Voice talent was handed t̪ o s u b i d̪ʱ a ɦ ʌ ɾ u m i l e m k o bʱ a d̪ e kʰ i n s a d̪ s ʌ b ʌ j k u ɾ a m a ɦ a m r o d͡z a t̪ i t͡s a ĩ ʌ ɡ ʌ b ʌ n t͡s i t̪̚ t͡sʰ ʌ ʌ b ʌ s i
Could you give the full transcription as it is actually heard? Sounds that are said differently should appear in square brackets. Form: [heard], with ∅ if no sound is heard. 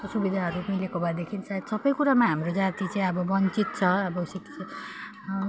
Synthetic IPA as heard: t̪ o s u b i d̪ʱ a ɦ ʌ ɾ u m i l e [∅] k o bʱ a d̪ e kʰ i n s a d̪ s ʌ b ʌ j k u ɾ a m a ɦ a m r o d͡z a t̪ i t͡s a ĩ ʌ [b] ʌ b ʌ n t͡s i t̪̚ t͡sʰ ʌ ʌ b ʌ s i